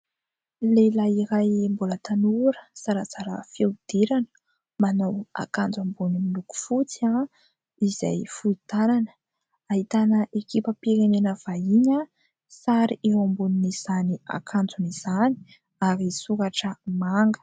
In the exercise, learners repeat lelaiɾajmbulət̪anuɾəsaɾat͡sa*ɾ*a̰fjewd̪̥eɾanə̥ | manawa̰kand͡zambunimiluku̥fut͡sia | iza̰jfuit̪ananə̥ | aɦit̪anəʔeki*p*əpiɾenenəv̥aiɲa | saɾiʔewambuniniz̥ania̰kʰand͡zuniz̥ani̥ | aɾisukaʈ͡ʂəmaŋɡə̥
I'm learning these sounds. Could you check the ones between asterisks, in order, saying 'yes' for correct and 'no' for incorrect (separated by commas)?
yes, yes